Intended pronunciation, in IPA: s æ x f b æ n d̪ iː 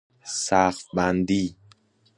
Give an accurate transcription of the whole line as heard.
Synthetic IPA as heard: s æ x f b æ n d̪ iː